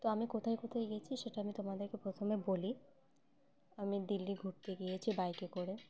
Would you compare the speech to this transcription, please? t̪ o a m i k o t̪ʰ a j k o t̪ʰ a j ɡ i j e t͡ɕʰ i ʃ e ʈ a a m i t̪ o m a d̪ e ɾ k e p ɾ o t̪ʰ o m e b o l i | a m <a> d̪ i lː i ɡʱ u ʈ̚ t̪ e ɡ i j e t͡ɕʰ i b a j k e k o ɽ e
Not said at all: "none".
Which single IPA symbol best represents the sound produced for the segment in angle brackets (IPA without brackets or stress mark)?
i